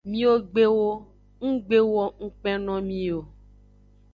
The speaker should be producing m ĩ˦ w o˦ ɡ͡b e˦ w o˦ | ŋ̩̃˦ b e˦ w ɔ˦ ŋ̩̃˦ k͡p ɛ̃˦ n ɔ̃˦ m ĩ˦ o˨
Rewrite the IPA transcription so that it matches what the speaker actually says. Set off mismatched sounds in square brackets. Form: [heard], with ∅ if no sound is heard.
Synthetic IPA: m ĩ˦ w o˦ ɡ͡b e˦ w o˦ | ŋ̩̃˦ [ɡ͡b] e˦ w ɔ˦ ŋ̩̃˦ k͡p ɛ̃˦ n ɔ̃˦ m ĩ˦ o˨